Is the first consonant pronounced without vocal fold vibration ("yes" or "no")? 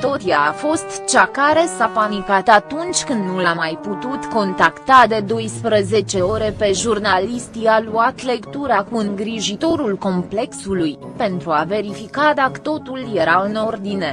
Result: yes